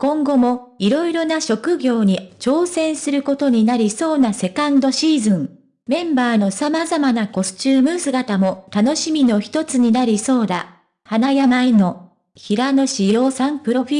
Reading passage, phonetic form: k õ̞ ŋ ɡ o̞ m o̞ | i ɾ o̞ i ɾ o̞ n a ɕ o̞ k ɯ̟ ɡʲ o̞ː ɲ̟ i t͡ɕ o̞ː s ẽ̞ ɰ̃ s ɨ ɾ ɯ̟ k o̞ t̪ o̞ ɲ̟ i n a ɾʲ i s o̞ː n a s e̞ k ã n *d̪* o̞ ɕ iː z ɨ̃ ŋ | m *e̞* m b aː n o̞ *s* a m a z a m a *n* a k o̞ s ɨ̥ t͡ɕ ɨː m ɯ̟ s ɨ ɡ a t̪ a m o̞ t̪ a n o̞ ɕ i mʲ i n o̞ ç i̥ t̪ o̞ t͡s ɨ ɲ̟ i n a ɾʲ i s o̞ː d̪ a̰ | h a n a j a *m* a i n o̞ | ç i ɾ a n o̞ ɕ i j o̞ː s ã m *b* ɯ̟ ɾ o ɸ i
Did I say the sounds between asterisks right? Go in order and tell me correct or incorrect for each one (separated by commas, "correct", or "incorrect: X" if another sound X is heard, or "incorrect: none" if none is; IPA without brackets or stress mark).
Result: correct, incorrect: ẽ̞, correct, correct, correct, incorrect: p